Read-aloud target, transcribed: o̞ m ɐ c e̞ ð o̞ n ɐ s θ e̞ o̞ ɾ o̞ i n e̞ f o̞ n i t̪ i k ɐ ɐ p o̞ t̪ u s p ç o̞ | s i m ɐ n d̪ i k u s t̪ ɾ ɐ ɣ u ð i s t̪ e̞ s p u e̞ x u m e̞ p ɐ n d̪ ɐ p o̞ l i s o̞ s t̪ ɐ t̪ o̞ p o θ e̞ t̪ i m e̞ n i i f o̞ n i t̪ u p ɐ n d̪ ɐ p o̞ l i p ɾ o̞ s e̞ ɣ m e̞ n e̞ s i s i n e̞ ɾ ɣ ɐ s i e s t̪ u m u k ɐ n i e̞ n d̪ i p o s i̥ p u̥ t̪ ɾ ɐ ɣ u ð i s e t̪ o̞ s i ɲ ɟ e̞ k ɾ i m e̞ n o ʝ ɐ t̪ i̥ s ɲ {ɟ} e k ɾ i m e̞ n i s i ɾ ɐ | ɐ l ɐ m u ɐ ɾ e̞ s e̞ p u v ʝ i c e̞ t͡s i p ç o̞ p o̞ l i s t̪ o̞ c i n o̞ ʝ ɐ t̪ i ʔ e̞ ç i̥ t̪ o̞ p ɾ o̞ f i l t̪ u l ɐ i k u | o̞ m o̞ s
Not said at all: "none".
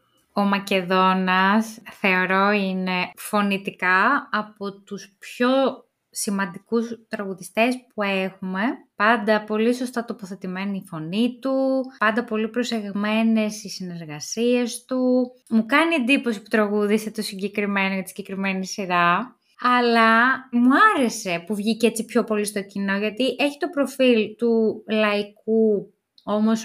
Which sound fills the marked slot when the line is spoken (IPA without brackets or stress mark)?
ɟ